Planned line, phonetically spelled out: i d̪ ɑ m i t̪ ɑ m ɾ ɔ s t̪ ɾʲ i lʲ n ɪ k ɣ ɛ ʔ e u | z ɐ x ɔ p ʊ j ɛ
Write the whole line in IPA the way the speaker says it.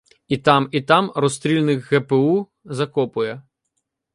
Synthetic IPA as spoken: i t̪ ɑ m i t̪ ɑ m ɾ ɔ s t̪ ɾʲ i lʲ n ɪ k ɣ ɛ p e u | z ɐ k ɔ p ʊ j ɛ